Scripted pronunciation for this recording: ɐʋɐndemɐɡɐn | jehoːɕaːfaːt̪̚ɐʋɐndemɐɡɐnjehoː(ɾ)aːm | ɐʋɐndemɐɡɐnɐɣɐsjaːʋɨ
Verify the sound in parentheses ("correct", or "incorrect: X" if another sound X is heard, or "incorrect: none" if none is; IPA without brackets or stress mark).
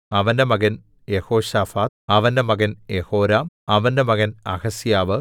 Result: correct